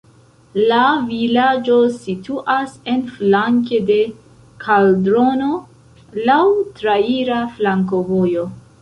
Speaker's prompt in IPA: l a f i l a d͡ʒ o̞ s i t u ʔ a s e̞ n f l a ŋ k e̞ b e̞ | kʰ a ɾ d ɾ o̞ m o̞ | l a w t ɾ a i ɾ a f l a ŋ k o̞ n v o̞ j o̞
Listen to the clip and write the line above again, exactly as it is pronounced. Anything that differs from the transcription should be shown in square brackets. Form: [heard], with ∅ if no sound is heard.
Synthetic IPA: l a [v] i l a d͡ʒ o̞ s i t u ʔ a s e̞ n f l a ŋ k e̞ [d] e̞ | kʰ a [l] d ɾ o̞ [n] o̞ | l a w t ɾ a i ɾ a f l a ŋ k o̞ [∅] v o̞ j o̞